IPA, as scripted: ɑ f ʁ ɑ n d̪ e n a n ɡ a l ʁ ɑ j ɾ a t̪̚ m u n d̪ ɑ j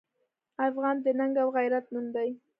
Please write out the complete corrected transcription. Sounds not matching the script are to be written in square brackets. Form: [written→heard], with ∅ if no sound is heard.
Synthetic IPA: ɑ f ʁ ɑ n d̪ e n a [n→ŋ] ɡ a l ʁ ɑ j ɾ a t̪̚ m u n d̪ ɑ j